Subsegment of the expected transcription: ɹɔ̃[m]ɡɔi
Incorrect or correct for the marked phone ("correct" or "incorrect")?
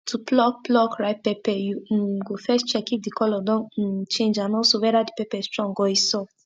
incorrect